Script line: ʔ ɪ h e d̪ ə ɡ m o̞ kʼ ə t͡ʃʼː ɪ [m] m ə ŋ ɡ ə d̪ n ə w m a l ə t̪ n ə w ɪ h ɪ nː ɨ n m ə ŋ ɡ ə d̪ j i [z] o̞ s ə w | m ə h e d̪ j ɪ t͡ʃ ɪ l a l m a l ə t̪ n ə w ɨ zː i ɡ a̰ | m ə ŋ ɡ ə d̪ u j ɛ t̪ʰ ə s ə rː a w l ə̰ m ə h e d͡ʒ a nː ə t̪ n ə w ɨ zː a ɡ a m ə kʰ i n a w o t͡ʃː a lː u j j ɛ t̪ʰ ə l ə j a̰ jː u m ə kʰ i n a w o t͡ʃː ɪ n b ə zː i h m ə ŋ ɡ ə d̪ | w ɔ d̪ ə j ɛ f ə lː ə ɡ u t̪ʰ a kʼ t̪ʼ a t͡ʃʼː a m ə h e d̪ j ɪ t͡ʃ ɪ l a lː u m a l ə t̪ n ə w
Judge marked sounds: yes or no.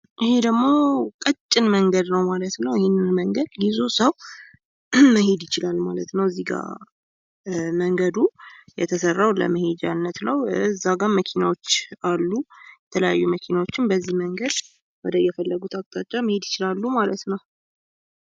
no, yes

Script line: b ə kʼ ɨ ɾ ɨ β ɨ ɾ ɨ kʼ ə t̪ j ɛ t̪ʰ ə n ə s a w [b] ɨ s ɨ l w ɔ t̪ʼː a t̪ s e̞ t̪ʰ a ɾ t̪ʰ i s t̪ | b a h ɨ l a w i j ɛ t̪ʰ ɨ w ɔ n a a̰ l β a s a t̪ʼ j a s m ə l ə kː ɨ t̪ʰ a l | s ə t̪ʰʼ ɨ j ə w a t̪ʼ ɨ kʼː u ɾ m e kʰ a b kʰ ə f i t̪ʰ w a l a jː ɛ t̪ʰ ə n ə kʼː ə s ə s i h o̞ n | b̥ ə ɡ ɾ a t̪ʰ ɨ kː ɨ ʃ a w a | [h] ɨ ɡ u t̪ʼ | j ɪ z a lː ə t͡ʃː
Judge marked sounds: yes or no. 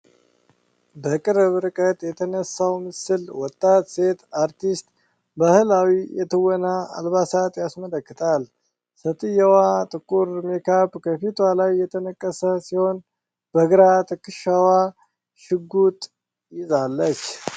no, no

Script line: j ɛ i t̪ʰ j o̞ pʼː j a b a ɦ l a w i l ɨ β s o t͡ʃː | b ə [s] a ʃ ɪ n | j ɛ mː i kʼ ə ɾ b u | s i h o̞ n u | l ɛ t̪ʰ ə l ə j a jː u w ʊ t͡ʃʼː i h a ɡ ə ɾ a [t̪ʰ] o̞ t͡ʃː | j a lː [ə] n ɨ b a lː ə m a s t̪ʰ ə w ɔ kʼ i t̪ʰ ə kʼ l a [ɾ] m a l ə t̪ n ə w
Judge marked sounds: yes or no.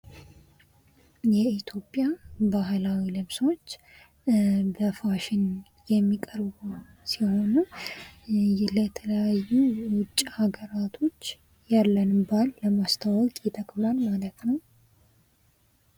no, yes, yes, no

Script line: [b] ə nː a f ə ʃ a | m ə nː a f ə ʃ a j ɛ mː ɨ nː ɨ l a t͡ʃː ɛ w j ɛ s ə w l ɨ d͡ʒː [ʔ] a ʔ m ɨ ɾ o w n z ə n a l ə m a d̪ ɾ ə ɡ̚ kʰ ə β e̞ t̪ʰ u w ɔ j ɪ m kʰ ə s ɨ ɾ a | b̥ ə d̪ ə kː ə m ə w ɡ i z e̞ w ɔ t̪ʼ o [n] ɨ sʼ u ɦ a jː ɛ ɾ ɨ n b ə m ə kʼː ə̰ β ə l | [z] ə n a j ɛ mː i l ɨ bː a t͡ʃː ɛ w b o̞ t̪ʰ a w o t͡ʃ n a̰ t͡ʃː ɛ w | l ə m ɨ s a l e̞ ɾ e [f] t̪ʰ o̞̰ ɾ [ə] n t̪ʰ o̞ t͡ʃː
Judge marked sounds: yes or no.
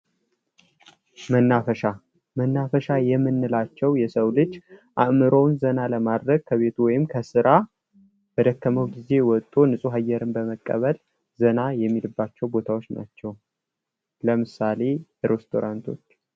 no, yes, yes, yes, no, no

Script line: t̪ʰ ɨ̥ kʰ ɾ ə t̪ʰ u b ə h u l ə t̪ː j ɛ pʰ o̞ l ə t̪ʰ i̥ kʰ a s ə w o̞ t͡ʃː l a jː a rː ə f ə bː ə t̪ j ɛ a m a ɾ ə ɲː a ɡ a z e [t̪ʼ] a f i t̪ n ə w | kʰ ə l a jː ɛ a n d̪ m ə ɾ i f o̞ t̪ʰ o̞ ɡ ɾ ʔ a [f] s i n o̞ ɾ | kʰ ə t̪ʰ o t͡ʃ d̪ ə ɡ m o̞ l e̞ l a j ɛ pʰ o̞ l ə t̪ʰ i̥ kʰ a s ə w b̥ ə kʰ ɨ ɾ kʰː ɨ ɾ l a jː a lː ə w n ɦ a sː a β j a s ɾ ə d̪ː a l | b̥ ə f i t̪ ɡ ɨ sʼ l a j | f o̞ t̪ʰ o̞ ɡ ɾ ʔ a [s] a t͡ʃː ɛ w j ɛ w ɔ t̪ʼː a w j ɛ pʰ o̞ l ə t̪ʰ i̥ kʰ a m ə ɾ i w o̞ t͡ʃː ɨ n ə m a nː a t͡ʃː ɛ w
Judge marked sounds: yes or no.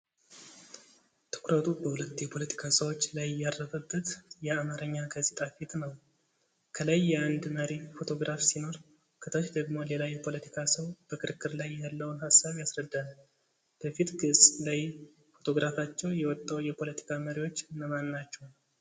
yes, yes, no

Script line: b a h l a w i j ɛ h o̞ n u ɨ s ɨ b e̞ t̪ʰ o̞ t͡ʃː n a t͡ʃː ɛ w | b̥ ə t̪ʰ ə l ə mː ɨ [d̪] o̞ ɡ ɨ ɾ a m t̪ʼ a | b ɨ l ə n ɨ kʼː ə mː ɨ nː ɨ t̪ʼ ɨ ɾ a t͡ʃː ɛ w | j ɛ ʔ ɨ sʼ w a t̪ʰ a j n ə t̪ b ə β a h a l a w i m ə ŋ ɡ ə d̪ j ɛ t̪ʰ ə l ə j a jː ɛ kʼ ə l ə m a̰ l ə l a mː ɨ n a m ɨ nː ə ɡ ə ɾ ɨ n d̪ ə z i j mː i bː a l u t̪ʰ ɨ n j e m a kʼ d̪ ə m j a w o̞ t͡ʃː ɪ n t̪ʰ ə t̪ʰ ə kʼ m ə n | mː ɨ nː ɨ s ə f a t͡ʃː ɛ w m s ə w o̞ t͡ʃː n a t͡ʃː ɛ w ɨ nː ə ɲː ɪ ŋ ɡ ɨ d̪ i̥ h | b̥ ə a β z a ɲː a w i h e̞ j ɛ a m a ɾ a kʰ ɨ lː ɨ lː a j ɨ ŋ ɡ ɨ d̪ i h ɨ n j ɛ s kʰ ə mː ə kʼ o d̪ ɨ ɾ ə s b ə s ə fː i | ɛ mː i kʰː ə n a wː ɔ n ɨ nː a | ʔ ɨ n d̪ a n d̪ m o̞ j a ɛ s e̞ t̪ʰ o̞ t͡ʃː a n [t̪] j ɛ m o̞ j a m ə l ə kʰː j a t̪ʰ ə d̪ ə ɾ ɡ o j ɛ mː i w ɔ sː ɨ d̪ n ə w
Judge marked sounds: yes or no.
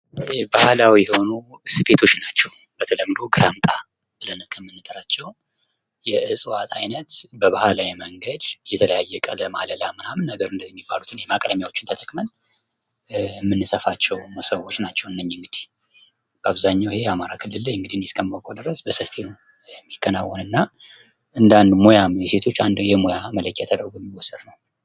yes, no

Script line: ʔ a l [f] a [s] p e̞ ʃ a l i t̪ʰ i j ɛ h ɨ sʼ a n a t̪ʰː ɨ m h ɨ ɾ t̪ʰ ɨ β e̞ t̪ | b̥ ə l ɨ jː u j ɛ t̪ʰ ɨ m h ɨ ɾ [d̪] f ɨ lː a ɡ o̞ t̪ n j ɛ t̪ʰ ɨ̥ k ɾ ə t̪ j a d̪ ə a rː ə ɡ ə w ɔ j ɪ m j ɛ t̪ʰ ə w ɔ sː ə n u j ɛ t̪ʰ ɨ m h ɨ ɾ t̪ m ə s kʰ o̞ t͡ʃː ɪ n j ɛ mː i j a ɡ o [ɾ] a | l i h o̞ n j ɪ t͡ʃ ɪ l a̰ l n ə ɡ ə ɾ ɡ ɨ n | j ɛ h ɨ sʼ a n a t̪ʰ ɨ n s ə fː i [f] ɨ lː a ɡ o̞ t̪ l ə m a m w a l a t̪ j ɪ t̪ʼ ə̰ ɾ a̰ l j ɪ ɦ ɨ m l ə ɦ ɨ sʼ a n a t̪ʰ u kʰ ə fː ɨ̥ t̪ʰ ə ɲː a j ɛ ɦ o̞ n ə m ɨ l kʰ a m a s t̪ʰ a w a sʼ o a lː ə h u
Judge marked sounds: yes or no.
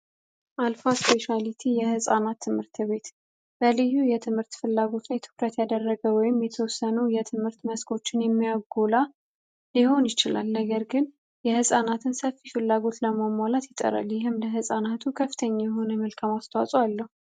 yes, yes, no, no, yes

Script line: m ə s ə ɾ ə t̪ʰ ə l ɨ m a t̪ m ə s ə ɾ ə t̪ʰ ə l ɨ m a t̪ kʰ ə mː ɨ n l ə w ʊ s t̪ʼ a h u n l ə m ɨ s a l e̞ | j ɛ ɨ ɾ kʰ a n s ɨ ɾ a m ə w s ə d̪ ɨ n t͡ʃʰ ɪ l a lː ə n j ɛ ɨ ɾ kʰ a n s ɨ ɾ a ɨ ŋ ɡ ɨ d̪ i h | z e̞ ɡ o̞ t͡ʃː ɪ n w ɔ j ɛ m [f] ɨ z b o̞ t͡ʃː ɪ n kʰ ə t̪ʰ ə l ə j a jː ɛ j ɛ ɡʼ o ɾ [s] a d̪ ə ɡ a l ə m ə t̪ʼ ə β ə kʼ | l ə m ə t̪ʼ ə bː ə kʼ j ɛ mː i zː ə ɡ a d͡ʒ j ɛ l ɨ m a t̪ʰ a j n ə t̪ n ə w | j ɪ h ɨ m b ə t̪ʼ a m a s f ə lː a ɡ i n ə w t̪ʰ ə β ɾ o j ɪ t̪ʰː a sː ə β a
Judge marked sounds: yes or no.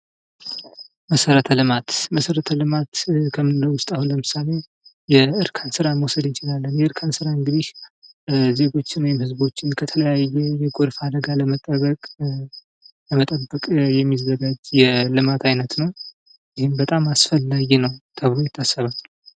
no, no

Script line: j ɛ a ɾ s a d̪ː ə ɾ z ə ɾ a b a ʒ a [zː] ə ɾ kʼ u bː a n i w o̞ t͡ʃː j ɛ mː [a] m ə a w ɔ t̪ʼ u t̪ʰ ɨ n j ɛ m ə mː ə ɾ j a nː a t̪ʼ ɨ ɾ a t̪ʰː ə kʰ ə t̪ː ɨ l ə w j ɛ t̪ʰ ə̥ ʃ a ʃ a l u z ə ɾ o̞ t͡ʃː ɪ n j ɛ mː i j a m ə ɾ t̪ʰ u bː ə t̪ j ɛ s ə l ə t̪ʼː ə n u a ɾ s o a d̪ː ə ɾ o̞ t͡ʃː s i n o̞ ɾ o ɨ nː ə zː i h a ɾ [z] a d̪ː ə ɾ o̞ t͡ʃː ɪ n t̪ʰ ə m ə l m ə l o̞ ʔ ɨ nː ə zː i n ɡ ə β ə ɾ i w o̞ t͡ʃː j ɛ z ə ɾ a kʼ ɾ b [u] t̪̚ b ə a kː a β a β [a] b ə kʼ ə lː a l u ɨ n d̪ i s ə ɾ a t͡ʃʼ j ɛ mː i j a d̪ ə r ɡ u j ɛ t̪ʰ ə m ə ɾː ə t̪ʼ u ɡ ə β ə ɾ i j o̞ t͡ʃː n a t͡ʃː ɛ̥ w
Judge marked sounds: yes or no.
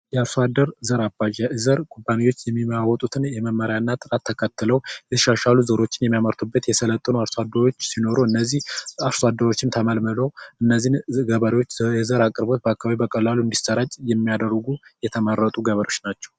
no, no, no, no, no

